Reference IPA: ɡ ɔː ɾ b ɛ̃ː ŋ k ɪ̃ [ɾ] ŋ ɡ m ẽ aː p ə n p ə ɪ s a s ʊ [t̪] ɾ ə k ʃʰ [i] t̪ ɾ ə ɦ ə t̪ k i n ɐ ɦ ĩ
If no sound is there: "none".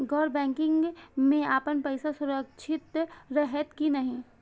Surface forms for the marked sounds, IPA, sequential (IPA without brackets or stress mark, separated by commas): none, none, ɪ